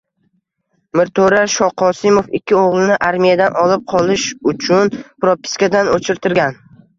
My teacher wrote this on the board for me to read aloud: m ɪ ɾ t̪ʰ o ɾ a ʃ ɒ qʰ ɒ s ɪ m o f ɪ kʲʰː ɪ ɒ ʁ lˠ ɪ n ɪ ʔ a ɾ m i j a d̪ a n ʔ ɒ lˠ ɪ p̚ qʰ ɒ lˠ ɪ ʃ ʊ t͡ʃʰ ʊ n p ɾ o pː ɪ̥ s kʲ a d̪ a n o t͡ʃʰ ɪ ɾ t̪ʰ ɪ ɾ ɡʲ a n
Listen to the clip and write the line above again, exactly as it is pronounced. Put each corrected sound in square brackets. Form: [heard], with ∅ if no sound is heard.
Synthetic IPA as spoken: m ɪ ɾ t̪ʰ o ɾ a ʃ ɒ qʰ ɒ s ɪ m o f ɪ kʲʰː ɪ [o] ʁ lˠ ɪ n ɪ ʔ a ɾ m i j a d̪ a n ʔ ɒ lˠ ɪ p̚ qʰ ɒ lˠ ɪ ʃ ʊ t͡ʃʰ ʊ n p ɾ o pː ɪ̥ s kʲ a d̪ a n o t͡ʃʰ ɪ ɾ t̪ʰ ɪ ɾ ɡʲ a n